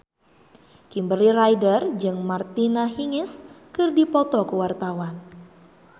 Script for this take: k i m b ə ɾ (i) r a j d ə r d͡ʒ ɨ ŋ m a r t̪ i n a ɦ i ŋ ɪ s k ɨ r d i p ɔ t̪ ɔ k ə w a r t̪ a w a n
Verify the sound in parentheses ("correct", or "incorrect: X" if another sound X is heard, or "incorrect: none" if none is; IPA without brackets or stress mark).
correct